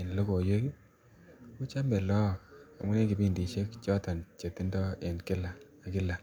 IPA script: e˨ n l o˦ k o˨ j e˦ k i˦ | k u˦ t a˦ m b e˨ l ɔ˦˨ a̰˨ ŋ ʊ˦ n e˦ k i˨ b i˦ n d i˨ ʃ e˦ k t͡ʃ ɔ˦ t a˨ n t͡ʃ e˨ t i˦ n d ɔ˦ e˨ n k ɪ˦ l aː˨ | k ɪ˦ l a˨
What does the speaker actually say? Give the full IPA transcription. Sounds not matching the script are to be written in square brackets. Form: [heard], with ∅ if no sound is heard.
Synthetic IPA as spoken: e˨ n l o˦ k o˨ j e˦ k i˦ | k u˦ [t͡ʃ] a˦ m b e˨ l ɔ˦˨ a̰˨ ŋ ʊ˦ n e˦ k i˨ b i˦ n d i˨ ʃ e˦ k t͡ʃ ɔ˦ t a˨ n t͡ʃ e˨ t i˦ n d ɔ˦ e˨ n k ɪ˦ l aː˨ | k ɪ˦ l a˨

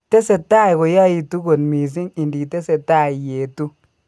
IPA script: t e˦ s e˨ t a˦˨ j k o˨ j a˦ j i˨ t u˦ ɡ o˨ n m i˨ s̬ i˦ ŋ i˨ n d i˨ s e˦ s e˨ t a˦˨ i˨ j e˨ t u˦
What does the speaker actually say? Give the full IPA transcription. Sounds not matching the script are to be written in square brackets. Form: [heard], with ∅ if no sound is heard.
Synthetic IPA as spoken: t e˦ s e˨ t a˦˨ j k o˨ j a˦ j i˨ t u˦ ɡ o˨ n m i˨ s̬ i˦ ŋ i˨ n d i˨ [t] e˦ s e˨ t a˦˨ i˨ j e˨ t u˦

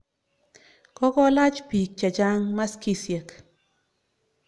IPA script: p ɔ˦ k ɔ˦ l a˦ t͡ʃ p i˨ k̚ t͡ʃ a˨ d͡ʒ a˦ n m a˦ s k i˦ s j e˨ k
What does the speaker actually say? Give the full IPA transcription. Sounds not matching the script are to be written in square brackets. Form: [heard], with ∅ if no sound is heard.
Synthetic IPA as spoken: [k] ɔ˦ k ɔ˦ l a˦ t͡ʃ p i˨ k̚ t͡ʃ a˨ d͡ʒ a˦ [ŋ] m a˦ s k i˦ s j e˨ k

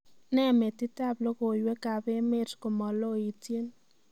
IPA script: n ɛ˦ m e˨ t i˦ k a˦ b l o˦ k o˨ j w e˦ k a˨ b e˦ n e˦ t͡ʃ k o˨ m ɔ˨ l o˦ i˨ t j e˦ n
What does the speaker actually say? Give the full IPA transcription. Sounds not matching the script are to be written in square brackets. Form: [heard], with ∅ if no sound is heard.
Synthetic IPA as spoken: n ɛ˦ m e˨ t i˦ [t] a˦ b l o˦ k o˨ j w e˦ k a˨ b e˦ [m] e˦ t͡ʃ k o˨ m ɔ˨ l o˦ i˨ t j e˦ n

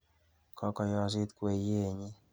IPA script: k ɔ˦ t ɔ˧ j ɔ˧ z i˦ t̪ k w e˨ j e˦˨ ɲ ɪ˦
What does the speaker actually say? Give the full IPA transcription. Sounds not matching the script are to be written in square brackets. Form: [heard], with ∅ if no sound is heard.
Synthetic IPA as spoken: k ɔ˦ [k] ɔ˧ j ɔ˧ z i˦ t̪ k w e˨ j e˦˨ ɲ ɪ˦

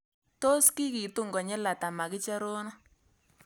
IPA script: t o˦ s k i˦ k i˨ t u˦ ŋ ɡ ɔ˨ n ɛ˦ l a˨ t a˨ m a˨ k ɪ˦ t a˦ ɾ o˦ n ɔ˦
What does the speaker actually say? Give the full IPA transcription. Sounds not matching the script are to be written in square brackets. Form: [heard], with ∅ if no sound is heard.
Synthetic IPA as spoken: t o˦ s k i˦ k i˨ t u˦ ŋ ɡ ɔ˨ [ɲ] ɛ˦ l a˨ t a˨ m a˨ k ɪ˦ [t͡ʃ] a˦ ɾ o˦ n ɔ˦

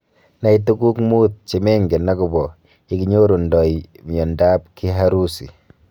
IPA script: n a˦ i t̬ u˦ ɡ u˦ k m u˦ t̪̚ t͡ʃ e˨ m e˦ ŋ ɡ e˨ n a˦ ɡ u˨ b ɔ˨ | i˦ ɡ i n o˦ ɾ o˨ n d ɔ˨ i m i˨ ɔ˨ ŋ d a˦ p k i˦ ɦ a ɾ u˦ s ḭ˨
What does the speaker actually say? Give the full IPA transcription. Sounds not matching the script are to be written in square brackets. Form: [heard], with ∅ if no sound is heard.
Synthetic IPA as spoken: n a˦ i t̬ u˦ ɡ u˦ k m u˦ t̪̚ t͡ʃ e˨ m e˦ ŋ ɡ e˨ n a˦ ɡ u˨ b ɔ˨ | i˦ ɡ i [ɲ] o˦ ɾ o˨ n d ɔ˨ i m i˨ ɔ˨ [n] d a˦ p k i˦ ɦ a ɾ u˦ s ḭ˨

